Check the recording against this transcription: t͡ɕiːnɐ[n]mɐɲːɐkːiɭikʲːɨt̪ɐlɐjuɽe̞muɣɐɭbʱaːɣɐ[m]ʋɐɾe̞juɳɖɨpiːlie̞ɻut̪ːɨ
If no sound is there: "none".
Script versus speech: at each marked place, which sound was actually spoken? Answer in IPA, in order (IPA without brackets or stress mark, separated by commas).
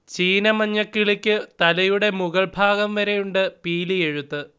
none, m